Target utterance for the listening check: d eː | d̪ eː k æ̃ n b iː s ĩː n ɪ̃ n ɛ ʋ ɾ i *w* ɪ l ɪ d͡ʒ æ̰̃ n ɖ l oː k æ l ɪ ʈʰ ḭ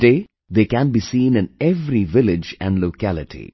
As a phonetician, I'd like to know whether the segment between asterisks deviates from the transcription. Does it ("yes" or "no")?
yes